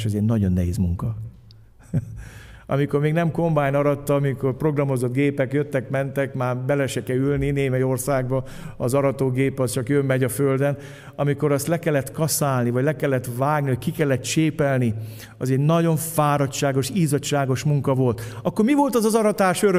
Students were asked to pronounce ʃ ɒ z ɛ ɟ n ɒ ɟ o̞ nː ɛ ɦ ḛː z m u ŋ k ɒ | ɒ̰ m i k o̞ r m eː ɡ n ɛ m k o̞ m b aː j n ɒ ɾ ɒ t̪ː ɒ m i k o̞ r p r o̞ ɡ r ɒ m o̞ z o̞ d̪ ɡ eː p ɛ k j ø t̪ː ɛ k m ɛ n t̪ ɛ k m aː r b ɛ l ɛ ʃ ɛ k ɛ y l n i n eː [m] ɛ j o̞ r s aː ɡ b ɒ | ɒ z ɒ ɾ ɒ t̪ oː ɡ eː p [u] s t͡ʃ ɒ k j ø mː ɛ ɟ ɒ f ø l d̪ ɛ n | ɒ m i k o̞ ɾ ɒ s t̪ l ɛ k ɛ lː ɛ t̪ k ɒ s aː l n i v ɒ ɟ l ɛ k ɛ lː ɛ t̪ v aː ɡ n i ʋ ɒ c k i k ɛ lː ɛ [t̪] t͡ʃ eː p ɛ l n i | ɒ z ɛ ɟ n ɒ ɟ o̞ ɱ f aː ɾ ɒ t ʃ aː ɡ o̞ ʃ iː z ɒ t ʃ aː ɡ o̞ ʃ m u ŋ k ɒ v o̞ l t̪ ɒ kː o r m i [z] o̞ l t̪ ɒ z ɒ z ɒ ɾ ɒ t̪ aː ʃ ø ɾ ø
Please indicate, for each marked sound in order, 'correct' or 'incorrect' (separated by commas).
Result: correct, incorrect, correct, incorrect